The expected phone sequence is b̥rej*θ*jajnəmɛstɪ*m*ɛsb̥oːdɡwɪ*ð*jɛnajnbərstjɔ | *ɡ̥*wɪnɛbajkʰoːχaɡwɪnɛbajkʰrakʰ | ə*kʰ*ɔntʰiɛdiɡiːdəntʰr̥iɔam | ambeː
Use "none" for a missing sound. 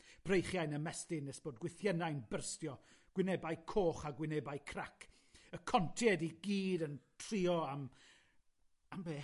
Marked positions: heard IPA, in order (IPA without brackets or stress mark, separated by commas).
χ, n, θ, ɡ̥, kʰ